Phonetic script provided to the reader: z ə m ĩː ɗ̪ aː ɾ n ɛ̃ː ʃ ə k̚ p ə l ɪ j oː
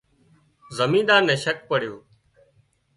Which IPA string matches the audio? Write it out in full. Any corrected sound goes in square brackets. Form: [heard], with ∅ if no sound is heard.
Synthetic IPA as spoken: z ə m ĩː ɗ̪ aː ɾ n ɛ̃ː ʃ ə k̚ p ə [ɽ] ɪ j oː